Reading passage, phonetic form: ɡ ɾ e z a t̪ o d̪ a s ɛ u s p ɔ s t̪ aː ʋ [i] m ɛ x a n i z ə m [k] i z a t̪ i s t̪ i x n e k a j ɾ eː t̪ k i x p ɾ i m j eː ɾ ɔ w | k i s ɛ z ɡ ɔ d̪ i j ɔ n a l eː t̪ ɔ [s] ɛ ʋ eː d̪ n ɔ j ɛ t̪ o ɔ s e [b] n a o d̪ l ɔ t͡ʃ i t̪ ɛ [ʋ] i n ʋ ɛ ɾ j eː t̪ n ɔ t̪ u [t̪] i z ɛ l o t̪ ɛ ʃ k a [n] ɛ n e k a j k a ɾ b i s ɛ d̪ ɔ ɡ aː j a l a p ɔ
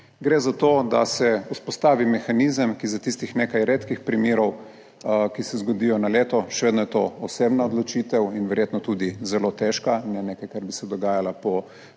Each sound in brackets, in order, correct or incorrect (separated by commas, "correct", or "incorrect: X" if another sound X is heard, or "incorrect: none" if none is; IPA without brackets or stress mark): correct, correct, incorrect: ʃ, correct, incorrect: w, incorrect: d̪, correct